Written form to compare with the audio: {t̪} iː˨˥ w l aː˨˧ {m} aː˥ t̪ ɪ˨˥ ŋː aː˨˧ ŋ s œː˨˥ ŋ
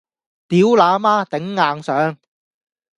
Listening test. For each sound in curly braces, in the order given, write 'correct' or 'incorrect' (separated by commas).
correct, correct